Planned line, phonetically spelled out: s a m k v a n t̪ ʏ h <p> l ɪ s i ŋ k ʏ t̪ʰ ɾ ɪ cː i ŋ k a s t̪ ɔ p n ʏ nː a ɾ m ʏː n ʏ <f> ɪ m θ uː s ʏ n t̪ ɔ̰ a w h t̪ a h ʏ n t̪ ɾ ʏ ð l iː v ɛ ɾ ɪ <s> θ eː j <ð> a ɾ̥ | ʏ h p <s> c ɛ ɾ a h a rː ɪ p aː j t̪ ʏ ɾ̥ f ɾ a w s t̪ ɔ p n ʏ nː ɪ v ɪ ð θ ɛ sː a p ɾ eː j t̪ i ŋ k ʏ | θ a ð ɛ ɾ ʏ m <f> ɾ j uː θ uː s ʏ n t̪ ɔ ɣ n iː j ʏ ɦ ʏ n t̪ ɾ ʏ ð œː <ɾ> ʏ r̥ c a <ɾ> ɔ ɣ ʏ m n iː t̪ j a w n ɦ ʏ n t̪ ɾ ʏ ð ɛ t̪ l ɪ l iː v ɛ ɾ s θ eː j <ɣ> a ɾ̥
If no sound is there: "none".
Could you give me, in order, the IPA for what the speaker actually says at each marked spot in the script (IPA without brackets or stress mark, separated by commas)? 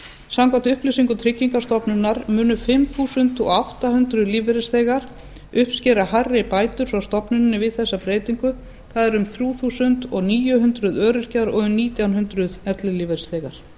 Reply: p, f, s, ɣ, s, θ, ɾ, ɾ, ɣ